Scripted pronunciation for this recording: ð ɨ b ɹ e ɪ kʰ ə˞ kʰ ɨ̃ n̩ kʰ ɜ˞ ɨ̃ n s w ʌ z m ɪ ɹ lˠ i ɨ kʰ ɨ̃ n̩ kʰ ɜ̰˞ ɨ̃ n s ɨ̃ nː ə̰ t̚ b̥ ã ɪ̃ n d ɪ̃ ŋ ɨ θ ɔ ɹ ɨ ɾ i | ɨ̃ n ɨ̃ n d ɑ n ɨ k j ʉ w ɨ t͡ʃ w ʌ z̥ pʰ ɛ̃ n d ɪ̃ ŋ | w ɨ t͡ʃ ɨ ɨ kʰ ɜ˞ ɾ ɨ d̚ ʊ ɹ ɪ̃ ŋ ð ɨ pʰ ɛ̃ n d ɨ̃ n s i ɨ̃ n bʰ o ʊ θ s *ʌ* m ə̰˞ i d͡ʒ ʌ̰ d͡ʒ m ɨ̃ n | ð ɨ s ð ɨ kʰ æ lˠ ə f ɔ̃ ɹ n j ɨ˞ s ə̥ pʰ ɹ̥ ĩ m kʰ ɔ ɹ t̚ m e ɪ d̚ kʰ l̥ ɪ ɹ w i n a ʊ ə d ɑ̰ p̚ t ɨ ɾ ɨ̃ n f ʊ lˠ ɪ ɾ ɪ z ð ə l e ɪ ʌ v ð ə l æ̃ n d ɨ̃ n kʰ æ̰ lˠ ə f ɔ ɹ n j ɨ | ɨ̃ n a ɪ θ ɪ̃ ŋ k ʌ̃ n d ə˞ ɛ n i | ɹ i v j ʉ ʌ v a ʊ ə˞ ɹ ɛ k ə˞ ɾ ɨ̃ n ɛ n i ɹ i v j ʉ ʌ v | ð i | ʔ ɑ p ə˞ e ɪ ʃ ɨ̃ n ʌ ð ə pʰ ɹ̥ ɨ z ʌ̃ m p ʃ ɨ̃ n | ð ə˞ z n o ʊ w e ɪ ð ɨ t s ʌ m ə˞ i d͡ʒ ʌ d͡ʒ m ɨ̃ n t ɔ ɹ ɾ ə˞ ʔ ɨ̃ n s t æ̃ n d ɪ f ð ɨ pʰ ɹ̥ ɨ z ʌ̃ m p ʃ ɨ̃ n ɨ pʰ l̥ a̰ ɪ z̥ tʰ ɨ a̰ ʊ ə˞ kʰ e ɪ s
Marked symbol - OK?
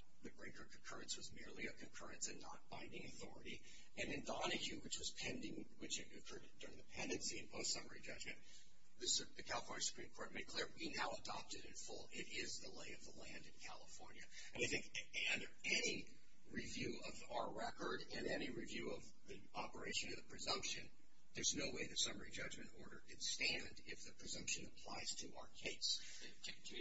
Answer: yes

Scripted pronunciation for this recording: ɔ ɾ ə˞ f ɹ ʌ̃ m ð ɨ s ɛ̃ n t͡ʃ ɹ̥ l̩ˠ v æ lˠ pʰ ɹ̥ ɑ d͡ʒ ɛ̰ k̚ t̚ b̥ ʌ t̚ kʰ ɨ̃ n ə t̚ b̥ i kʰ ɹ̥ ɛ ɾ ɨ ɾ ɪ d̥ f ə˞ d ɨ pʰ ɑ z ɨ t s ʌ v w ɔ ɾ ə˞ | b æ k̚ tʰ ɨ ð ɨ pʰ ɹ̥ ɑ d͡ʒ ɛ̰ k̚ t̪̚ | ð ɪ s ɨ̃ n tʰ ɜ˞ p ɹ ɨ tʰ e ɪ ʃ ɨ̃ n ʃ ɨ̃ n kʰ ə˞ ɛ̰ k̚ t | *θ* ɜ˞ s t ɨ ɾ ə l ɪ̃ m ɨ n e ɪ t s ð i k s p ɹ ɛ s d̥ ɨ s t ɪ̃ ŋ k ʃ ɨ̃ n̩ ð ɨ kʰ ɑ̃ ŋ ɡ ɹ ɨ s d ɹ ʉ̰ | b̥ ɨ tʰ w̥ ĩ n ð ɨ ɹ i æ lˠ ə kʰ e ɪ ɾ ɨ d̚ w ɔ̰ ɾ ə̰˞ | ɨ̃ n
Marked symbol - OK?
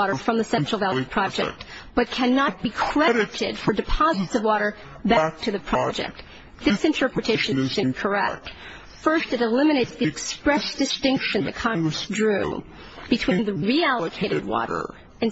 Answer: no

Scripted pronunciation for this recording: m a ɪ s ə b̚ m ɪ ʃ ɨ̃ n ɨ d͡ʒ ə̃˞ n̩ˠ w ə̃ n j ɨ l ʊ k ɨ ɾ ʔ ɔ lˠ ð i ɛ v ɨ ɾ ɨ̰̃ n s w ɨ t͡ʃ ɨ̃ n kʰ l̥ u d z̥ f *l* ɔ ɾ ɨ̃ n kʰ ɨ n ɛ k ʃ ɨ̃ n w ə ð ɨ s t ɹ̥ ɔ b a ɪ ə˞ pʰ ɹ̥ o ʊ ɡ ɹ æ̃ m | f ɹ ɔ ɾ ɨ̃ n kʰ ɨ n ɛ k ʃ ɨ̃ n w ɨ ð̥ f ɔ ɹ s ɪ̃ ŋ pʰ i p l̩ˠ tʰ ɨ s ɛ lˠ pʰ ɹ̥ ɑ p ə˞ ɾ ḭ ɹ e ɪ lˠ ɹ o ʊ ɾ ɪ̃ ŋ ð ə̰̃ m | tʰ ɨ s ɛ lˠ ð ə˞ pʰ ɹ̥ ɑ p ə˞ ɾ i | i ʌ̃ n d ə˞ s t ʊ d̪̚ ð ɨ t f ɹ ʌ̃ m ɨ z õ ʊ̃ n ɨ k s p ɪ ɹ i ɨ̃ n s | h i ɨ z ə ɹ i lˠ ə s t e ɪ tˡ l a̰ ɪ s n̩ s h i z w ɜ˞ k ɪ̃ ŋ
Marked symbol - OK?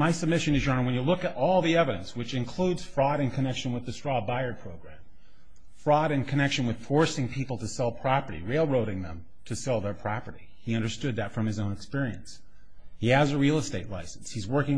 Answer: no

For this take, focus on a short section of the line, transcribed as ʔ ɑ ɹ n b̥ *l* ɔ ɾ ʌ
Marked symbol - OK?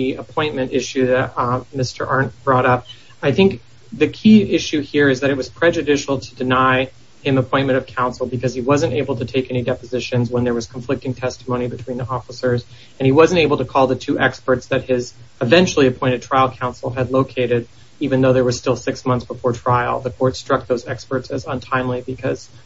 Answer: no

